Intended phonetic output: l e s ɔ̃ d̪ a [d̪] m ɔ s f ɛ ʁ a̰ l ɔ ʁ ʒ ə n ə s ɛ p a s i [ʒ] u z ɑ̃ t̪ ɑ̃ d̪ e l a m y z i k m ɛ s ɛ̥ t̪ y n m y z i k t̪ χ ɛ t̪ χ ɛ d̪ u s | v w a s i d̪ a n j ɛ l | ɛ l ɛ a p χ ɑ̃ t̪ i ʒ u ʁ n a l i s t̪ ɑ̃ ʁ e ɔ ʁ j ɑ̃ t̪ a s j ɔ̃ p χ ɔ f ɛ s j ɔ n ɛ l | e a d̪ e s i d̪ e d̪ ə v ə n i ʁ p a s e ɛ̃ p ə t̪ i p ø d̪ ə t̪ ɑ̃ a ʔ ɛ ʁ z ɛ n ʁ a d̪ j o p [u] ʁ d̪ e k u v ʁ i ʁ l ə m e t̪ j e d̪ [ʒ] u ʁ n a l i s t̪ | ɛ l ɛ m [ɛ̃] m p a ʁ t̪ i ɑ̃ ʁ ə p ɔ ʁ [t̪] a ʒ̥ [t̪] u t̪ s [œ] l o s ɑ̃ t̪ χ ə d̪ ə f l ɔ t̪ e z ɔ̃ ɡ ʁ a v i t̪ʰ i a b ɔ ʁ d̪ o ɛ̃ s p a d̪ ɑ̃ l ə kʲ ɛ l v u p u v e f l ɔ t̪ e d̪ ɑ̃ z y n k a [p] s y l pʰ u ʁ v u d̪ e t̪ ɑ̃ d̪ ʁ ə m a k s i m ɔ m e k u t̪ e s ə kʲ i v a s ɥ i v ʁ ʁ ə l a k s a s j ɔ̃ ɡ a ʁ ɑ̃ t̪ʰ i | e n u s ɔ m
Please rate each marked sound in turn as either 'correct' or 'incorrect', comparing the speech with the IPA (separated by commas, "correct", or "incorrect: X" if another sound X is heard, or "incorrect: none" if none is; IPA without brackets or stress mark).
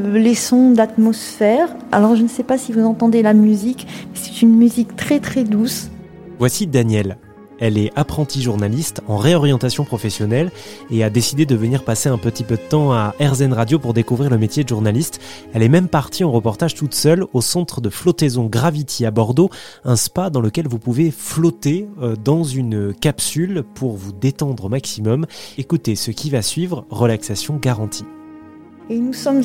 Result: incorrect: t̪, incorrect: v, correct, correct, incorrect: ɛ, correct, correct, correct, correct